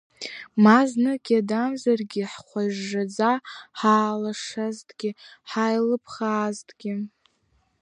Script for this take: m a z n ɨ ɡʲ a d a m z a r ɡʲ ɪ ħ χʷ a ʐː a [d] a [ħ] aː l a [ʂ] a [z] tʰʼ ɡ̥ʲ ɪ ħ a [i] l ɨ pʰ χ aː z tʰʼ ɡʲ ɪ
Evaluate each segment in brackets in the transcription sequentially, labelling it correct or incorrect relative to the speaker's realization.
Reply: incorrect: d͡z, correct, correct, correct, incorrect: j

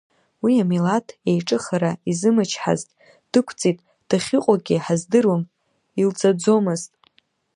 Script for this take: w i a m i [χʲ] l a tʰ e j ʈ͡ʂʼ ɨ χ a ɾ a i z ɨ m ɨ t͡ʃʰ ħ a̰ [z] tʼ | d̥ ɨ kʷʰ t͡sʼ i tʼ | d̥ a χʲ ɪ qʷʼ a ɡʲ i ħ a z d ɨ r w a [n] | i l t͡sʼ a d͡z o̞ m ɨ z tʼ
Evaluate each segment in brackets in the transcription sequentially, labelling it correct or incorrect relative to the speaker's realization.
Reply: incorrect: none, correct, incorrect: m

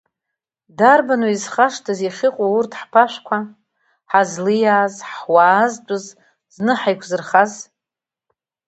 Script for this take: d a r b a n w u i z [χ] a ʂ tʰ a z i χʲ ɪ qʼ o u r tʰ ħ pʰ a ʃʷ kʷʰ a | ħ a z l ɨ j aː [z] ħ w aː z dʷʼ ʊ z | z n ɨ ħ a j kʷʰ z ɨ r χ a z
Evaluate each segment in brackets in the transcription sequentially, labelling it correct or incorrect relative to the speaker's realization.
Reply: correct, correct

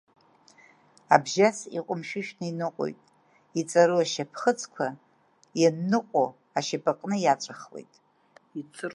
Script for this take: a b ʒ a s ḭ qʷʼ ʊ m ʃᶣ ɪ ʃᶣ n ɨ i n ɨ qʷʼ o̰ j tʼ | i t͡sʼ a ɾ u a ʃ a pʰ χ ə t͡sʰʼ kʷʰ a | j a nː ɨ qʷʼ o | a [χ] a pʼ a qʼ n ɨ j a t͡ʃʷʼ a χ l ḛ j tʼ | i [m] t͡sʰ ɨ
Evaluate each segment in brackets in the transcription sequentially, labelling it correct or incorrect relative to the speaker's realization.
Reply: incorrect: ʃ, incorrect: none

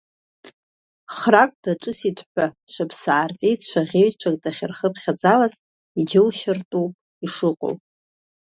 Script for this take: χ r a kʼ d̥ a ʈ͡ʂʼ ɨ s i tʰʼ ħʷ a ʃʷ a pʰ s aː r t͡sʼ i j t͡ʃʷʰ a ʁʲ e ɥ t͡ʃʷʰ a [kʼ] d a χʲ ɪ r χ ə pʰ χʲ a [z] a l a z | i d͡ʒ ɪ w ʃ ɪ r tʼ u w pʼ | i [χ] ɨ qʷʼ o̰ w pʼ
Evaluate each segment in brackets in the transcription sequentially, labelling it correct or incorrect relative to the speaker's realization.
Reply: correct, incorrect: d͡z, incorrect: ʂ

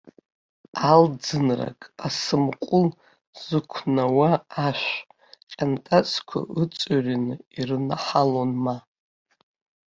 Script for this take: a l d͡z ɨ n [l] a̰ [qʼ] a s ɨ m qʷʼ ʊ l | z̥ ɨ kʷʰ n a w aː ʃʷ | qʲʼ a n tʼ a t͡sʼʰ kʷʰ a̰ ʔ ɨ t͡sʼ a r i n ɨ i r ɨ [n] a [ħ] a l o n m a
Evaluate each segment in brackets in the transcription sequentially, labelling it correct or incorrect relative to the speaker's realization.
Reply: incorrect: r, incorrect: kʼ, correct, correct

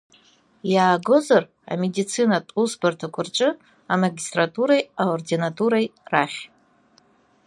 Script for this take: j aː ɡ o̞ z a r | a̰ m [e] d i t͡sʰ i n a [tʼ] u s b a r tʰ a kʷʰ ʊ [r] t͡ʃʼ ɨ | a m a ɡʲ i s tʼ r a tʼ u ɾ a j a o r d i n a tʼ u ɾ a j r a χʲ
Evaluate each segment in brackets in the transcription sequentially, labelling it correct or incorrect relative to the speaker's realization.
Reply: correct, correct, correct

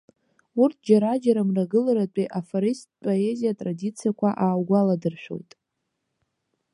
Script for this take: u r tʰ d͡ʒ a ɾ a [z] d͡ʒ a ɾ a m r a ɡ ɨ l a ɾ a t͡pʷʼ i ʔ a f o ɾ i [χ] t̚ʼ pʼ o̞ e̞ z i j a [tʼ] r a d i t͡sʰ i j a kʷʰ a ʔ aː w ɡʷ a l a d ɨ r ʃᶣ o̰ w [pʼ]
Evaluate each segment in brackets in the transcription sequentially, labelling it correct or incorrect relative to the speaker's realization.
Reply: incorrect: none, incorrect: s, correct, incorrect: tʼ

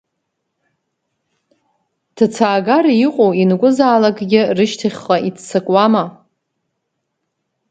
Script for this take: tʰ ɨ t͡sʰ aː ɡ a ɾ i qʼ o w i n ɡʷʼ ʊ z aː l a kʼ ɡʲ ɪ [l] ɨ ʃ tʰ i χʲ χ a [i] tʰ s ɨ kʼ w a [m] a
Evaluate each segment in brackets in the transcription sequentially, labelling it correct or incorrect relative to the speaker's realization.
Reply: incorrect: r, correct, correct

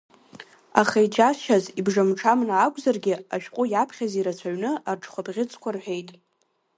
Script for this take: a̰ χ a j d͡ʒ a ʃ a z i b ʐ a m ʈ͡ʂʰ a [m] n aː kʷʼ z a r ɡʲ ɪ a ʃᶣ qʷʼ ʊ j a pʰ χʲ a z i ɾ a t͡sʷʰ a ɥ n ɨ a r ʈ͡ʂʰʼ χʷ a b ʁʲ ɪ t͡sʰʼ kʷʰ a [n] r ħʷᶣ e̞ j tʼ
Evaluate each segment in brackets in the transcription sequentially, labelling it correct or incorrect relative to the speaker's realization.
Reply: correct, incorrect: none

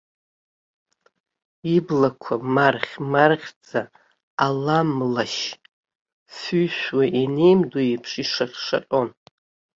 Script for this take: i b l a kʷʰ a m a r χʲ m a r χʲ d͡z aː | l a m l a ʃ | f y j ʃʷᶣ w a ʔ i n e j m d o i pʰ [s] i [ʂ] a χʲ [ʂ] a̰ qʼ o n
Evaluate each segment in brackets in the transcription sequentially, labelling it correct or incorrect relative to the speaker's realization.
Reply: incorrect: ʂ, correct, correct

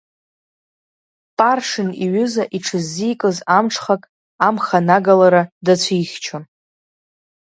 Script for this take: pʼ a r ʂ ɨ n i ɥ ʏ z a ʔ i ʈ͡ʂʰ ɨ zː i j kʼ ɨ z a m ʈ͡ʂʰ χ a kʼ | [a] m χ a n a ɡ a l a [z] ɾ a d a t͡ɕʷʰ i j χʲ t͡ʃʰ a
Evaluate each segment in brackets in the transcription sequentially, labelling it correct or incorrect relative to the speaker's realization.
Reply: correct, incorrect: none

